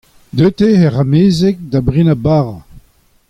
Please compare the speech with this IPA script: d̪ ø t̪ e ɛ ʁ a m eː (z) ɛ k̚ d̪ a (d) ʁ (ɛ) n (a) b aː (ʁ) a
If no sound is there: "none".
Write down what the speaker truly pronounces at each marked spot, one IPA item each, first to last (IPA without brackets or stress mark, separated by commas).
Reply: z, b, i, a, ʁ